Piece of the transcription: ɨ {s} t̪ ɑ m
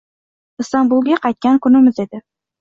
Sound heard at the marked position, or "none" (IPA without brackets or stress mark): s